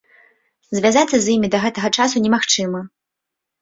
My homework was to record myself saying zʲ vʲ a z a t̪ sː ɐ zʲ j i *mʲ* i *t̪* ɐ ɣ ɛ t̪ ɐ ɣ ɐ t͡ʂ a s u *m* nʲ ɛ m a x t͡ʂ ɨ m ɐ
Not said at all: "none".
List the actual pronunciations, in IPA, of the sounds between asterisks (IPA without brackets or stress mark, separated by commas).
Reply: mʲ, d̪, none